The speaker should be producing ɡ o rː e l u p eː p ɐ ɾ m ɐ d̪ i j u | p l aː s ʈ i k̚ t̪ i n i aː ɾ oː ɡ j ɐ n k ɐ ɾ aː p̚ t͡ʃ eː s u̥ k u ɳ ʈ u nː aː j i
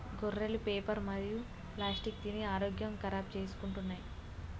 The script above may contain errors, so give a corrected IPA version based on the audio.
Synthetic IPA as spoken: ɡ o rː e l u p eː p ɐ ɾ m ɐ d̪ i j u | p l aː s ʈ i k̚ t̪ i n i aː ɾ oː ɡ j ɐ m k ɐ ɾ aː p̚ t͡ʃ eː s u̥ k u ɳ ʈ u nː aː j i

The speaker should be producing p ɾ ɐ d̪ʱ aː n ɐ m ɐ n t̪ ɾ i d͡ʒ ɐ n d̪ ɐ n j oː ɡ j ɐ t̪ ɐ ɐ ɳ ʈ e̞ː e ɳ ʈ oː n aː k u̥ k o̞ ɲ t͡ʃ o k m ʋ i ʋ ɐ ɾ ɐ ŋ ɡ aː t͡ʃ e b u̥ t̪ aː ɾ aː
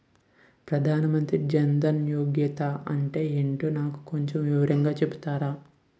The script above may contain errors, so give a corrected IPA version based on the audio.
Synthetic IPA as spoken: p ɾ ɐ d̪ʱ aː n ɐ m ɐ n t̪ ɾ i d͡ʒ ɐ n d̪ ɐ n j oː ɡ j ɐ t̪ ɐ ɐ ɳ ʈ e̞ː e ɳ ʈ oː n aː k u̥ k o̞ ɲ t͡ʃ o m ʋ i ʋ ɐ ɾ ɐ ŋ ɡ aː t͡ʃ e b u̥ t̪ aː ɾ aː

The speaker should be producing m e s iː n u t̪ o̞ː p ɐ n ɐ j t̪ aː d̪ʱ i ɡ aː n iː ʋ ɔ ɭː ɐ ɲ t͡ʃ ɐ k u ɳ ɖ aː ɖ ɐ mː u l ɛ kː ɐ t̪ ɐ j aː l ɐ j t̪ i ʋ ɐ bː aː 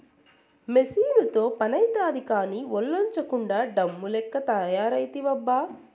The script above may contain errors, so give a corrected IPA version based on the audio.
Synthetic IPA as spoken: m e s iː n u t̪ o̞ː p ɐ n ɐ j t̪ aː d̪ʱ i k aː n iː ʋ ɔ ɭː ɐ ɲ t͡ʃ ɐ k u ɳ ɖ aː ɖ ɐ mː u l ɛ kː ɐ t̪ ɐ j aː ɾ ɐ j t̪ i ʋ ɐ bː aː

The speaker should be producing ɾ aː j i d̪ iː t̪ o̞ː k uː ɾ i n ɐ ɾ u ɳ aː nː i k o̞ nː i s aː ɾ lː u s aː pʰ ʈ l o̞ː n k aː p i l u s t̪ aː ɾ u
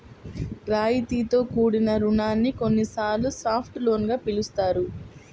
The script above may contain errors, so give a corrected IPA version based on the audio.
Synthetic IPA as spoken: ɾ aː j i t̪ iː t̪ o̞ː k uː ɽ i n ɐ ɾ u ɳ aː nː i k o̞ nː i s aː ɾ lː u s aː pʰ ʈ l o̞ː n ɡ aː p i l u s t̪ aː ɾ u

